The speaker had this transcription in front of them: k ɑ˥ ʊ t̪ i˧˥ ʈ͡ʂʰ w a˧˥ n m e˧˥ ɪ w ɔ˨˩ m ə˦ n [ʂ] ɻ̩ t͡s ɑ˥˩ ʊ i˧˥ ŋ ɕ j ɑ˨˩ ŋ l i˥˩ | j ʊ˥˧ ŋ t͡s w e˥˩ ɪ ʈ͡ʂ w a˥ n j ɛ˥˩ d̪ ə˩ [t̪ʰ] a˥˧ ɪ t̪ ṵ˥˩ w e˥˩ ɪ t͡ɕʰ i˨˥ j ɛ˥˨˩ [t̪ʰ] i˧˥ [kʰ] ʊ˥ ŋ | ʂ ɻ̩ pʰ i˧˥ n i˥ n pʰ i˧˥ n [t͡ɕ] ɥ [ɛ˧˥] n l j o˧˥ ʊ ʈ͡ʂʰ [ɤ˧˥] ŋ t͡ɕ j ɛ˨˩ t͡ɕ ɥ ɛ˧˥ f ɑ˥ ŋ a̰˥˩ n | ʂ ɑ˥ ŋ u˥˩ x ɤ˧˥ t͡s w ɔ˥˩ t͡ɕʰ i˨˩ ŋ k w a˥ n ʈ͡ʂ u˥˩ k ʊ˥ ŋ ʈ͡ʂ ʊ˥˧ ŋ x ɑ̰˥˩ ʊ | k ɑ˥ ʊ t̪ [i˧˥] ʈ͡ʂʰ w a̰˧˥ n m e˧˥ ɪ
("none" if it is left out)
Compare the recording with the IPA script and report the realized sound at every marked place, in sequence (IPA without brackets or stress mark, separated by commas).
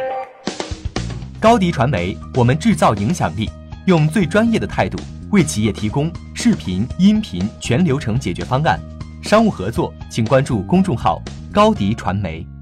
ʈ͡ʂ, t̪ʰ, t̪ʰ, k, t͡ɕʰ, ɛ˧˥, ɤ˧˥, i˧˥